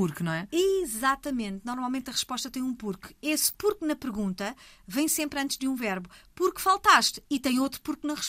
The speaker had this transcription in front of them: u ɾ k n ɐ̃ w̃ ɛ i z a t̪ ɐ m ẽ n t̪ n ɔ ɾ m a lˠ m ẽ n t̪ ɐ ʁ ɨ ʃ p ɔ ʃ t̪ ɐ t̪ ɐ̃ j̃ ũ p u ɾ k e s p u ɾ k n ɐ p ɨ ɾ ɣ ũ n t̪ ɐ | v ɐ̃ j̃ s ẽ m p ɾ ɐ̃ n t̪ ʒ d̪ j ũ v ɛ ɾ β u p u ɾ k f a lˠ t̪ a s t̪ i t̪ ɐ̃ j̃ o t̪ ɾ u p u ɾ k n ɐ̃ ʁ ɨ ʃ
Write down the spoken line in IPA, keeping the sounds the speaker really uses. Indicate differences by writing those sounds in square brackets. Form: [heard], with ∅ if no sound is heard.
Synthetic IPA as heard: u ɾ k n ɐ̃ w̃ ɛ i z a t̪ ɐ m ẽ n t̪ n ɔ ɾ m a lˠ m ẽ n t̪ ɐ ʁ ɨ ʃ p ɔ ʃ t̪ ɐ t̪ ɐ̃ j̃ ũ p u ɾ k e s p u ɾ k n ɐ p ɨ ɾ ɣ ũ n t̪ ɐ | v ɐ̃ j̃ s ẽ m p ɾ ɐ̃ n t̪ ʒ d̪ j ũ v ɛ ɾ β u p u ɾ k f a lˠ t̪ a [ʃ] t̪ i t̪ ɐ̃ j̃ o t̪ ɾ u p u ɾ k n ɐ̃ ʁ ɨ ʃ